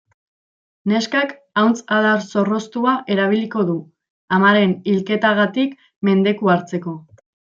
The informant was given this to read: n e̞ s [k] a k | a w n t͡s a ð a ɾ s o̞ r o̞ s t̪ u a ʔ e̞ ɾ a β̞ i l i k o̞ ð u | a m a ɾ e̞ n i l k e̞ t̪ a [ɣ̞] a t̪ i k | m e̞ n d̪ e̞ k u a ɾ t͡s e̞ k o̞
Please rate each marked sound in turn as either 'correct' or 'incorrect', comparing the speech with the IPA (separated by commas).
correct, correct